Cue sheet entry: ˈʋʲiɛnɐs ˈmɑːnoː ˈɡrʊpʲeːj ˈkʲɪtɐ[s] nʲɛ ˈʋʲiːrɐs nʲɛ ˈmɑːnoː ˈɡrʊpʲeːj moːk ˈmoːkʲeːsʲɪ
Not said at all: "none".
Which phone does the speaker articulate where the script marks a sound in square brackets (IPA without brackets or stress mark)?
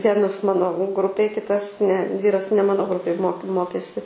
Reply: s